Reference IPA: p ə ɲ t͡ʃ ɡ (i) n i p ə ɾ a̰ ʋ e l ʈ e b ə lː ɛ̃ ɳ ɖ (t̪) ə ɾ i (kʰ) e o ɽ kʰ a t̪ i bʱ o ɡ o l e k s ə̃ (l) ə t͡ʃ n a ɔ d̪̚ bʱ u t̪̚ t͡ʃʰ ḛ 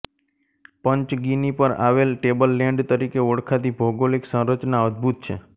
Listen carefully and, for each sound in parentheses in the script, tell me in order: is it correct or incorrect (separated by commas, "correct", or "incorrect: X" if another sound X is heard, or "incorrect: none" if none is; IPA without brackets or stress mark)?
correct, correct, incorrect: k, incorrect: ɾ